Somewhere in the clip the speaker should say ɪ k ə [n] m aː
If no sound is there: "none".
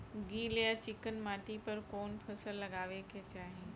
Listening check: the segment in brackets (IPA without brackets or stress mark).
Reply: n